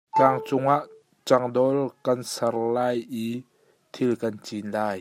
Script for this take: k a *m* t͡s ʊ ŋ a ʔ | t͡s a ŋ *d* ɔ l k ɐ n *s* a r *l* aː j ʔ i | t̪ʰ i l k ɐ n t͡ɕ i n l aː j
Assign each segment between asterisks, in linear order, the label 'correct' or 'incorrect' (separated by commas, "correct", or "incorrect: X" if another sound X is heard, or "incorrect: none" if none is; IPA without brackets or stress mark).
incorrect: ŋ, correct, correct, correct